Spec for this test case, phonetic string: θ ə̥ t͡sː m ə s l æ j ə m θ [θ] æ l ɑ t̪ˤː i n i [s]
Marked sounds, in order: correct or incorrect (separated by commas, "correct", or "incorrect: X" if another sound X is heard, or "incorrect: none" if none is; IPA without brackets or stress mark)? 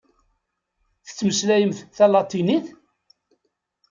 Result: correct, incorrect: θ